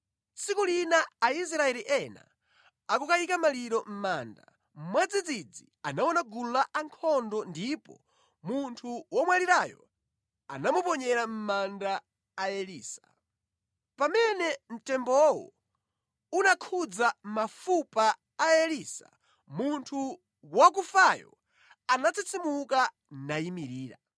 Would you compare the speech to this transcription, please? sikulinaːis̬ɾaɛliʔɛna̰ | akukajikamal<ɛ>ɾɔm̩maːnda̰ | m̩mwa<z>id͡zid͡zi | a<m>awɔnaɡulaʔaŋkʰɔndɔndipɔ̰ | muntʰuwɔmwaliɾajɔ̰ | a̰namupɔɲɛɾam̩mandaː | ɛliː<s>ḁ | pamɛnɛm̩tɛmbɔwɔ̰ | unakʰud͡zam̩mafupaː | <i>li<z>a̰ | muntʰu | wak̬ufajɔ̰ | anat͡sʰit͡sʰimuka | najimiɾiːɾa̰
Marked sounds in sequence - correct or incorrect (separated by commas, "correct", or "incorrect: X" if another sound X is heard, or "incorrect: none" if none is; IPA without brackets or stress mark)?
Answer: incorrect: i, incorrect: d͡z, incorrect: n, correct, incorrect: ɛ, incorrect: s